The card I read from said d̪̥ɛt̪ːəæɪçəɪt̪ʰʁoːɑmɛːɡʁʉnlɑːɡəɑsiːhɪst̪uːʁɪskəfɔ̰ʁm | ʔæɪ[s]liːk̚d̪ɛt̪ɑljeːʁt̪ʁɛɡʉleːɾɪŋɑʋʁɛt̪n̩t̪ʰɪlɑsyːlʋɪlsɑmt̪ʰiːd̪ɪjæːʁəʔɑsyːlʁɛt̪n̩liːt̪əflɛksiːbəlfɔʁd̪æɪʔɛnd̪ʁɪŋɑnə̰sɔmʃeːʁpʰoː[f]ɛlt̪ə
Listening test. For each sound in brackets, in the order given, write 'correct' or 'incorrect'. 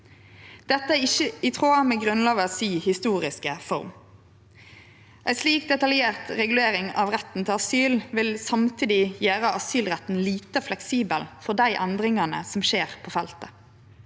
correct, correct

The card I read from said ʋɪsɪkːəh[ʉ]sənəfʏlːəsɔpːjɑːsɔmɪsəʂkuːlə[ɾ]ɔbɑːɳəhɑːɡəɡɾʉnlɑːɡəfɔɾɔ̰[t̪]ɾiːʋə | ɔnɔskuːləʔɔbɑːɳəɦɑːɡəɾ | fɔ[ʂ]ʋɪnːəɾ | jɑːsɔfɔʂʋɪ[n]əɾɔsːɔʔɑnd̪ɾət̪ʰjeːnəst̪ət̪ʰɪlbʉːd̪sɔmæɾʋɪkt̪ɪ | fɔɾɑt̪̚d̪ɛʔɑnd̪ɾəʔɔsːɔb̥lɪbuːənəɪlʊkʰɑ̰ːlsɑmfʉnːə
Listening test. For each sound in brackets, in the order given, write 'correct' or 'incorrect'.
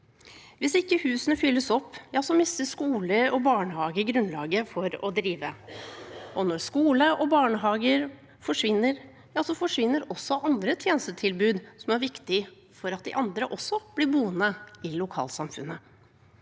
incorrect: ʉː, correct, incorrect: d̪, correct, incorrect: nː

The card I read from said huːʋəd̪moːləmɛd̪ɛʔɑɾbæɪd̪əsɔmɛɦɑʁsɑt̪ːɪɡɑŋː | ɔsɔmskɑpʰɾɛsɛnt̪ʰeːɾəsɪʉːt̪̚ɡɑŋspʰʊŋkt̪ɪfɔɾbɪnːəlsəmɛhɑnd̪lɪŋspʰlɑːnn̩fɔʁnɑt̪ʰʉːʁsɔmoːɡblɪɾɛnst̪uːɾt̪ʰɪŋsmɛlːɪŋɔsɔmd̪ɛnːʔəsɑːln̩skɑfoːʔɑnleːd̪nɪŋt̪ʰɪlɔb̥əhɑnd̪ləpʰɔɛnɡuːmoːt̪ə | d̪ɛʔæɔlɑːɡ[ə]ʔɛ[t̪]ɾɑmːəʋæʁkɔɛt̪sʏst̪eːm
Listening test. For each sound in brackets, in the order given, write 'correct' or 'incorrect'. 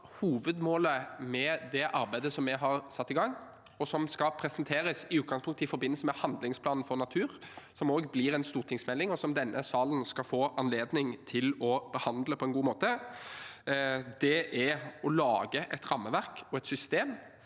correct, correct

